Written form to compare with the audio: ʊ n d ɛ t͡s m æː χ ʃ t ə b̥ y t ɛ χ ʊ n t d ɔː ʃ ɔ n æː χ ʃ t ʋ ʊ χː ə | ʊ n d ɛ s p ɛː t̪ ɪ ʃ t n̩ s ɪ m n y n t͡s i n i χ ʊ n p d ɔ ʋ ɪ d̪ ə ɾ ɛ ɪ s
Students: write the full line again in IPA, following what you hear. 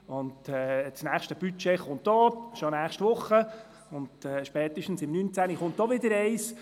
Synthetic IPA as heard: ʊ n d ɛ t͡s n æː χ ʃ t ə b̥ y t͡ʃ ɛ χ ʊ n t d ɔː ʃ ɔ n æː χ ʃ t ʋ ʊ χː ə | ʊ n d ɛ ʃ p ɛː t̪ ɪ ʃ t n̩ s ɪ m n y n t͡s æ n i χ ʊ n t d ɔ ʋ ɪ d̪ ə ɾ ɛ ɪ s